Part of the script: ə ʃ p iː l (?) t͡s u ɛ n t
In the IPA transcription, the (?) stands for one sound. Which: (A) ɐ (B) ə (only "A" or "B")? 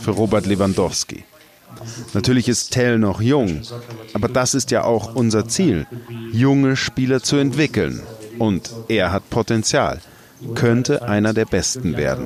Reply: A